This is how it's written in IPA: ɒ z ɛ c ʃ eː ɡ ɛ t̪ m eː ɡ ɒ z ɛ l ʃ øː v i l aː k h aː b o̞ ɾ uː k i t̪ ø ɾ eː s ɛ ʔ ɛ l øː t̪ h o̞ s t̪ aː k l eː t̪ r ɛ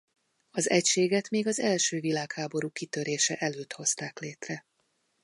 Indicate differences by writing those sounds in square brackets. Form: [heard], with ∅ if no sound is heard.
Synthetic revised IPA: ɒ z ɛ c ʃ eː ɡ ɛ t̪ m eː ɡ ɒ z ɛ l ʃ øː v i l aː k h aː b o̞ ɾ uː k i t̪ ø ɾ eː [ʃ] ɛ ʔ ɛ l øː t̪ h o̞ s t̪ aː k l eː t̪ r ɛ